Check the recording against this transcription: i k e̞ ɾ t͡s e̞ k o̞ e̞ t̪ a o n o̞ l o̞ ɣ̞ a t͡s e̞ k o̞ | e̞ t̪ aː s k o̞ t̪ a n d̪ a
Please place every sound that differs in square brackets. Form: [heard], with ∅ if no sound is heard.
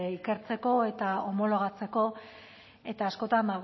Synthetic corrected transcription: i k e̞ ɾ t͡s e̞ k o̞ e̞ t̪ a o [m] o̞ l o̞ ɣ̞ a t͡s e̞ k o̞ | e̞ t̪ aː s k o̞ t̪ a n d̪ a